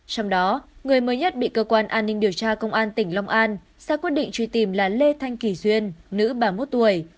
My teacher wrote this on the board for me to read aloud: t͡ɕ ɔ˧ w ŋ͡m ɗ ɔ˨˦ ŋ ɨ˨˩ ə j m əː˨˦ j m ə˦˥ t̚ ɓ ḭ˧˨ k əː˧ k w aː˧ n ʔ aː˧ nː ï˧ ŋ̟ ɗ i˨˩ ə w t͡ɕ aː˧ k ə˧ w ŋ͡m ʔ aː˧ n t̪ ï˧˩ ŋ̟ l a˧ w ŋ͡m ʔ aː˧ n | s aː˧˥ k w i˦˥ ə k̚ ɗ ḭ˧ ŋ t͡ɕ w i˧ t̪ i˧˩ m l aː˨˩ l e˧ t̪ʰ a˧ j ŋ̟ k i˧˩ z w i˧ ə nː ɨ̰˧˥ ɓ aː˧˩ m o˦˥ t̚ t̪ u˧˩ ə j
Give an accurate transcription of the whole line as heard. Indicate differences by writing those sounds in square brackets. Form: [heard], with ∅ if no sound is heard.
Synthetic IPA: t͡ɕ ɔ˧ w ŋ͡m ɗ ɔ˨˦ ŋ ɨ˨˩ ə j m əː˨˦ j [ɲ] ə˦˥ t̚ ɓ ḭ˧˨ k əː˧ k w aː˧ n ʔ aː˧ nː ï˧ ŋ̟ ɗ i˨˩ ə w t͡ɕ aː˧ k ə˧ w ŋ͡m ʔ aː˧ n t̪ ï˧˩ ŋ̟ l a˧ w ŋ͡m ʔ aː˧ n | s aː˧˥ k w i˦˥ ə [t̚] ɗ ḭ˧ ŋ t͡ɕ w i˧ t̪ i˧˩ m l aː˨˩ l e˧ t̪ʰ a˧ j ŋ̟ k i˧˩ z w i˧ ə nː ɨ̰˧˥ ɓ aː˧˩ m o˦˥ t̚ t̪ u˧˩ ə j